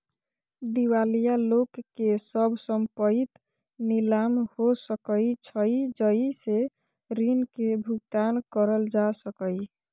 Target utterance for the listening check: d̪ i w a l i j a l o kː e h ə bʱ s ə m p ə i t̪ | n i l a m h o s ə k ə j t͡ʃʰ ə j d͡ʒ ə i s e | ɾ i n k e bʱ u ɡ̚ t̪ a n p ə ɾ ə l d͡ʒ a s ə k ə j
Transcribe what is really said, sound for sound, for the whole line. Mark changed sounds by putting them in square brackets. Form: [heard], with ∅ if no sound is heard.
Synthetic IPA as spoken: d̪ i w a l i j a l o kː e [s] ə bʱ s ə m p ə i t̪ | n i l a m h o s ə k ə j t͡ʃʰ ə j d͡ʒ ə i s e | ɾ i n k e bʱ u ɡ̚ t̪ a n [k] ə ɾ ə l d͡ʒ a s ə k ə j

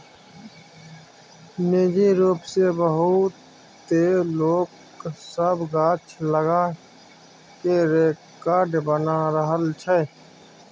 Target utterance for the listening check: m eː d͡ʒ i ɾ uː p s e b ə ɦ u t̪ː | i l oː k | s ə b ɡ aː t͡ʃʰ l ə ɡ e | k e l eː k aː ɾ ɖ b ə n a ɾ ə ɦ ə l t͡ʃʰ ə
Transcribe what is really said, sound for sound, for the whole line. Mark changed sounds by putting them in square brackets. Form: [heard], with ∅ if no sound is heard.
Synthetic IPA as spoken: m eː d͡ʒ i ɾ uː p s e b ə ɦ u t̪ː | [e] l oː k | s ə b ɡ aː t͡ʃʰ l ə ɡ [a] | k e [ɾ] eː k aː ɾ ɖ b ə n a ɾ ə ɦ ə l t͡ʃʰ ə

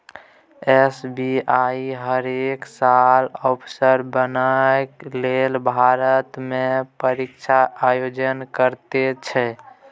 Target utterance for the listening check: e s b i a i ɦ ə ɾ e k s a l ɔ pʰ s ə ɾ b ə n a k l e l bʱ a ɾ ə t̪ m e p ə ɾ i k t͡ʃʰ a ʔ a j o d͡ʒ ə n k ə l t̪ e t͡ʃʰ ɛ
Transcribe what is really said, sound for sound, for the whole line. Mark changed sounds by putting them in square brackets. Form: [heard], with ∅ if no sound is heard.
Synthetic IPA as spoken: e s b i a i ɦ ə ɾ e k s a l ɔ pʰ s ə ɾ b ə n a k l e l bʱ a ɾ ə t̪ m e p ə ɾ i k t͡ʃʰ a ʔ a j o d͡ʒ ə n k ə [ɾ] t̪ e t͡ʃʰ ɛ

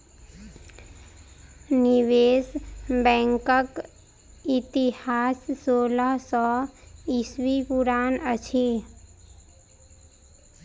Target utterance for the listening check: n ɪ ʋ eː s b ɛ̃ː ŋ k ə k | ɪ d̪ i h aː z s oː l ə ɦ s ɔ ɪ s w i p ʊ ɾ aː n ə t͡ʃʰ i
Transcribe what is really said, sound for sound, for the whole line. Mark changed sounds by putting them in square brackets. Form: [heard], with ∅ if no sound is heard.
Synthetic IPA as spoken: n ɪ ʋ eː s b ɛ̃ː ŋ k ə k | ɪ [t̪] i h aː [s] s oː l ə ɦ s ɔ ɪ s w i p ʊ ɾ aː n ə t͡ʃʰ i

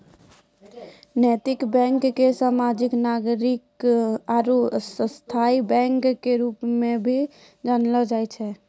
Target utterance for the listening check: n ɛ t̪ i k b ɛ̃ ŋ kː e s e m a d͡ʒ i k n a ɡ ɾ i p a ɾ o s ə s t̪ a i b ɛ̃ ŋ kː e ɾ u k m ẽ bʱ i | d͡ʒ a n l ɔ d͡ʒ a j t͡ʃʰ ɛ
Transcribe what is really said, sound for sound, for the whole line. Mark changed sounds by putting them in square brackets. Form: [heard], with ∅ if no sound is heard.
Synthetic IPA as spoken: n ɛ t̪ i k b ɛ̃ ŋ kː e s [a] m a d͡ʒ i k n a ɡ ɾ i [k] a ɾ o s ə s [t̪ʰ] a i b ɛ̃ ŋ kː e ɾ u [p] m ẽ bʱ i | d͡ʒ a n l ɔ d͡ʒ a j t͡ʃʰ ɛ

